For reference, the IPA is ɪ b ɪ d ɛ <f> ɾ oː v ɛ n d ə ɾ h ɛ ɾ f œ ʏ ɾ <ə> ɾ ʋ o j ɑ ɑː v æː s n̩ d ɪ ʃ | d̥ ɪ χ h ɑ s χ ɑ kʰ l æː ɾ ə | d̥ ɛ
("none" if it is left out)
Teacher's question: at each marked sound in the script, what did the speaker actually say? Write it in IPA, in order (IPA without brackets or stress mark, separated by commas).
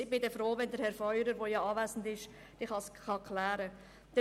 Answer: f, ə